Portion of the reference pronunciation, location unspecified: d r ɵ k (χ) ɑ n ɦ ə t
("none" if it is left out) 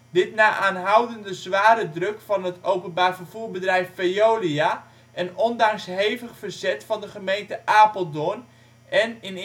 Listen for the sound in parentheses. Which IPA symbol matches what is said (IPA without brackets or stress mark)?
f